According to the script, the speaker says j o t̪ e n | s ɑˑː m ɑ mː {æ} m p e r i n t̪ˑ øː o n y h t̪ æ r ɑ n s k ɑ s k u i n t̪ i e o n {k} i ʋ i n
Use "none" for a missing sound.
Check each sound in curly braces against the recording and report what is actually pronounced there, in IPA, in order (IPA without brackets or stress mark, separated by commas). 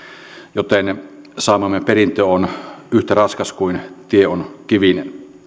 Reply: e, k